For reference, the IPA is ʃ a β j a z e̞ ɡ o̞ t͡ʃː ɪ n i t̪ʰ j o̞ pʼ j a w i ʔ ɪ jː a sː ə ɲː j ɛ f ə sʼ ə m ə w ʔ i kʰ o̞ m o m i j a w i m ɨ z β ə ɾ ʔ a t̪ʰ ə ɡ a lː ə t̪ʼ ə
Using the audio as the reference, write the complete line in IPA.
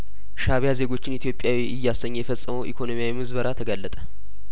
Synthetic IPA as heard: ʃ a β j a z e̞ ɡ o̞ t͡ʃː ɪ n i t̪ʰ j o̞ pʼ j a w i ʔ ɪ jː a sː ə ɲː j ɛ f ə sʼ ə m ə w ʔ i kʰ o̞ n o m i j a w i m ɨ z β ə ɾ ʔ a t̪ʰ ə ɡ a lː ə t̪ʼ ə